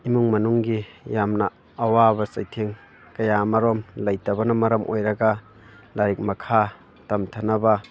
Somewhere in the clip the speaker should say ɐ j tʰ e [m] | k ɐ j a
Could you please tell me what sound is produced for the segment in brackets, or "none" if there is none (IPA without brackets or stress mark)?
ŋ